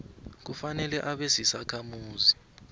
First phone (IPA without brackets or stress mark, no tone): k̬